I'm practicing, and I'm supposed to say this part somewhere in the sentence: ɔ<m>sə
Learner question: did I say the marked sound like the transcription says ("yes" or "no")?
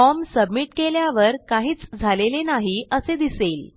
yes